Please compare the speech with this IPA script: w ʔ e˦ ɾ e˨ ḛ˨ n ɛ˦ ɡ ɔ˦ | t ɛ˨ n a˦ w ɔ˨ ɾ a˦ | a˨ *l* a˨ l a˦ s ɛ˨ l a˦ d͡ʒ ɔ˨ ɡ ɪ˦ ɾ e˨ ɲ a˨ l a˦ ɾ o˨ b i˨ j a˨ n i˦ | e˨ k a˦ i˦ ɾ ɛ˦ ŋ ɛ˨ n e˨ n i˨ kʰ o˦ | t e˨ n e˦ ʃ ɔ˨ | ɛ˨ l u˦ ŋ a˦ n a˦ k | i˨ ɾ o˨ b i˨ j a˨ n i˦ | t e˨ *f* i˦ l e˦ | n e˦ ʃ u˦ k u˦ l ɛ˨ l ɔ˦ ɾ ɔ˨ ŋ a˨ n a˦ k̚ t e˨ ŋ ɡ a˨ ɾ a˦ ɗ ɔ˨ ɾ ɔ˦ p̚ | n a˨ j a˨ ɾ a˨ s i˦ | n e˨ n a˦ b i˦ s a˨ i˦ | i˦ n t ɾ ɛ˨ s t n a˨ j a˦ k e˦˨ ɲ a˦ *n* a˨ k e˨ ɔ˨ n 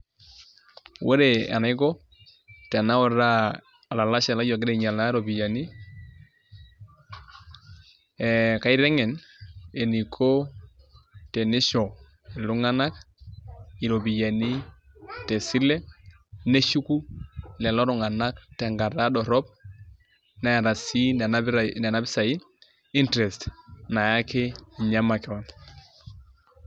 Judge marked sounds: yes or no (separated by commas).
yes, no, no